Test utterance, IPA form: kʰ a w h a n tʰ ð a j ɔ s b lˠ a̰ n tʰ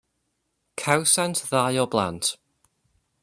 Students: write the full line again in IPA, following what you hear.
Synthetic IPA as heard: kʰ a w s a n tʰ ð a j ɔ b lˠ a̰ n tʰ

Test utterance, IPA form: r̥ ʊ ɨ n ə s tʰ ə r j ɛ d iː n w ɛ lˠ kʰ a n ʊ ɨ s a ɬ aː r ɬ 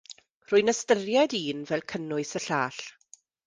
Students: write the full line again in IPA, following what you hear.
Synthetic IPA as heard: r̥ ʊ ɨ n ə s t ə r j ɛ d iː n v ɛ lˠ kʰ ə n ʊ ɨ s ə ɬ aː ɬ

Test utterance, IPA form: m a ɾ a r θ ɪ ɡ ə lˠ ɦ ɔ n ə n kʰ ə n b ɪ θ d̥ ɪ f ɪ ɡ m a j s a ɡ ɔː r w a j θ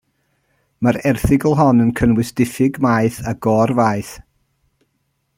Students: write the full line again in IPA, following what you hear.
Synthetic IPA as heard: m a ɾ ɛ r θ ɪ ɡ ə lˠ ɦ ɔ n ə n kʰ ə n w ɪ s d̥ ɪ f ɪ ɡ m a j θ a ɡ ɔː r v a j θ

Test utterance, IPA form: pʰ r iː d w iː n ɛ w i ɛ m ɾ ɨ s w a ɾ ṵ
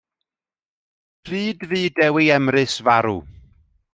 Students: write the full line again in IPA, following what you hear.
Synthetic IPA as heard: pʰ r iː d v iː d ɛ w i ɛ m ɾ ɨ s v a ɾ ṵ

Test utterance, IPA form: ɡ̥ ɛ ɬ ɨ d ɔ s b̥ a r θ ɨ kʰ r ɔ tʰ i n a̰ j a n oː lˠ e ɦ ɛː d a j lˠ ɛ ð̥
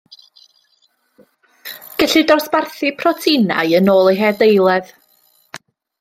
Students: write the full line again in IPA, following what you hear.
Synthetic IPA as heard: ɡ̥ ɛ ɬ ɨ d ɔ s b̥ a r θ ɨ pʰ r ɔ tʰ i n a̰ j ə n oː lˠ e ɦ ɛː d e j lˠ ɛ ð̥

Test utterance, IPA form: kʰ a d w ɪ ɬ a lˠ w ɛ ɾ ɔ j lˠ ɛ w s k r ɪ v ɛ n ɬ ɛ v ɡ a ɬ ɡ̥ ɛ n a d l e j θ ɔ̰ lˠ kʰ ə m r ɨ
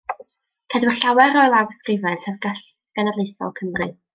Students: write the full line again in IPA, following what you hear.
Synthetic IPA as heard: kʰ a d w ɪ ɬ a w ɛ ɾ ɔ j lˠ a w s k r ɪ v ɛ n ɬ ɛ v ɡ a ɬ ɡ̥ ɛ n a d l e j θ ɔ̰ lˠ kʰ ə m r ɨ

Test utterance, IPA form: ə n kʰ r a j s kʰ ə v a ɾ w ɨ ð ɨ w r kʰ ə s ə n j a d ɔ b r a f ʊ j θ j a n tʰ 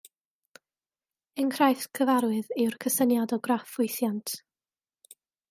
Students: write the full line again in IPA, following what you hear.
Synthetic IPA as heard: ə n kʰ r a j θ kʰ ə v a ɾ w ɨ ð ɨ w r kʰ ə s ə n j a d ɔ ɡ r a f ʊ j θ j a n tʰ

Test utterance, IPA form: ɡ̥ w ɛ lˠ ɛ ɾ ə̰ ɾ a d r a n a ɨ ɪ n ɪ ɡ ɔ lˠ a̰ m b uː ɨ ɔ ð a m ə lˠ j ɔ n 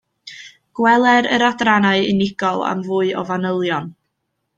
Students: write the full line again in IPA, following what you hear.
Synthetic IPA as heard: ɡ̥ w ɛ lˠ ɛ ɾ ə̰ ɾ a d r a n a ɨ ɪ n ɪ ɡ ɔ lˠ a̰ m v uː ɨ ɔ v a n ə lˠ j ɔ n

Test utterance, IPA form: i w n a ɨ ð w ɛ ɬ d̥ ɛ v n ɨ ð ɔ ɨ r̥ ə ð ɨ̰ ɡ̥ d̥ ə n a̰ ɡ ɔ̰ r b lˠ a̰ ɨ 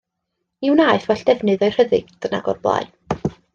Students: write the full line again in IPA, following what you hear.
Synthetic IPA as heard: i w n a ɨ θ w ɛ ɬ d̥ ɛ v n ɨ ð ɔ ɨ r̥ ə ð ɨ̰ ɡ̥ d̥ ə n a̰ ɡ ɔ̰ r b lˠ a̰ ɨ

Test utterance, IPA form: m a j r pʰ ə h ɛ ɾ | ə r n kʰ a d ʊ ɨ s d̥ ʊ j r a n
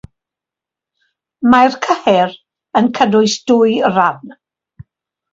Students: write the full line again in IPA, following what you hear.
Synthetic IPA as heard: m a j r kʰ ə h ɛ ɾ | ə n kʰ ə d ʊ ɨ s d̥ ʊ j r a n

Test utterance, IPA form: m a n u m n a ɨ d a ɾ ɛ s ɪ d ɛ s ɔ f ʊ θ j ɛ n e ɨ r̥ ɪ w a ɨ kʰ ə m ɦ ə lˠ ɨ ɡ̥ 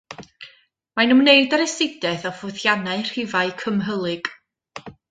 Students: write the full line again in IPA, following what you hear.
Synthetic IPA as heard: m a n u m n e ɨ d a ɾ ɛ s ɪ d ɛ θ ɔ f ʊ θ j a n a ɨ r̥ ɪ v a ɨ kʰ ə m ɦ ə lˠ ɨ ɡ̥

